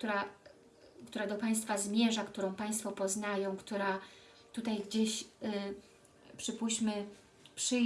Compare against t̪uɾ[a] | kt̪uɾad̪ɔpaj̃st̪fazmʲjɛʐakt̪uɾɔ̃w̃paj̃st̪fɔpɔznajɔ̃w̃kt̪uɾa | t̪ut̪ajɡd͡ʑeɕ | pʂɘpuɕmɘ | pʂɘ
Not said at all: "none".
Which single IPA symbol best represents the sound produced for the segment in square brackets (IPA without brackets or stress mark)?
a